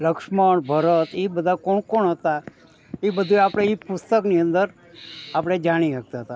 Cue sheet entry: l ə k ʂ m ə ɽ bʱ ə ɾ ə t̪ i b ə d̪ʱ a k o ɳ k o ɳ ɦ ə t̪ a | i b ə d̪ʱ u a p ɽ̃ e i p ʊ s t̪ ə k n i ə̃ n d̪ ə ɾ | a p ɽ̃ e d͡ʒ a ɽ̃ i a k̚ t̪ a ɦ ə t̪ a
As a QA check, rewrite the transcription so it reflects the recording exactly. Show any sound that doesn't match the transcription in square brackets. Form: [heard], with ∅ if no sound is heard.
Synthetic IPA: l ə k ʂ m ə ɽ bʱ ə ɾ ə t̪ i b ə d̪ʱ a k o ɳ k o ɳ ɦ ə t̪ a | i b ə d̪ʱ u a p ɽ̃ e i p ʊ s t̪ ə k n i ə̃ n d̪ ə ɾ | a p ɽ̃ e d͡ʒ a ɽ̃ i a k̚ t̪ a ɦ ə t̪ a